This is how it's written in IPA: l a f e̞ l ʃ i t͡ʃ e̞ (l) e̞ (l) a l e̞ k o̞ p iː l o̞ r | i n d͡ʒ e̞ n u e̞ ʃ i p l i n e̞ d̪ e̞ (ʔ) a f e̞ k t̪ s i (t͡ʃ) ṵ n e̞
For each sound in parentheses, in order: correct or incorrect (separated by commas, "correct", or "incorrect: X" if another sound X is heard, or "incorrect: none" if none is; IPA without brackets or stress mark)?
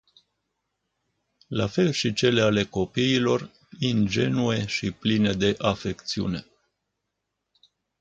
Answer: correct, incorrect: none, correct, incorrect: none